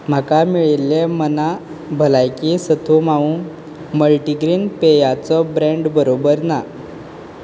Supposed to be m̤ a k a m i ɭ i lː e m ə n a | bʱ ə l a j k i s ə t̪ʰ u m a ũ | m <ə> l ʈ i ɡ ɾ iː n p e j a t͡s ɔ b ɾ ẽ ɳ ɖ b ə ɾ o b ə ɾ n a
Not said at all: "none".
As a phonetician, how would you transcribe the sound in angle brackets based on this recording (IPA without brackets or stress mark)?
ə